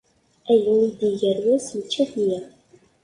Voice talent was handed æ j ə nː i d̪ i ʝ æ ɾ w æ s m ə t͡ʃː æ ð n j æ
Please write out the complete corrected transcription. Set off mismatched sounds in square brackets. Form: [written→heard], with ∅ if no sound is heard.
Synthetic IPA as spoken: æ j ə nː i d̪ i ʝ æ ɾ w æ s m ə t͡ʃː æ [ð→θ] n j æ